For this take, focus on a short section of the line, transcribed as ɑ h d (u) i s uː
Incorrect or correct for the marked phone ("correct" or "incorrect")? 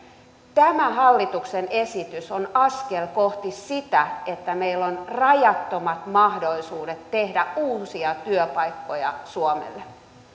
incorrect